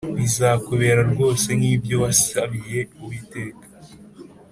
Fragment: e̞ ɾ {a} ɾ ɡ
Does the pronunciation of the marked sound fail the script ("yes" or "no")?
no